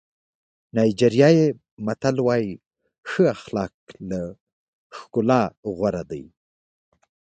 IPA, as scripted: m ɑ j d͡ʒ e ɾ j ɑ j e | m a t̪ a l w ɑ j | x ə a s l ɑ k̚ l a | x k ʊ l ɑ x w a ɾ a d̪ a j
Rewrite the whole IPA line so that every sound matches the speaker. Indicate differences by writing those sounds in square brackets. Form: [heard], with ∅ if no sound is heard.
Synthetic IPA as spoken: [n] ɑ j d͡ʒ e ɾ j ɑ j e | m a t̪ a l w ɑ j | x ə a [x] l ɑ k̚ l a | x k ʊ l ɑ [ɣ] w a ɾ a d̪ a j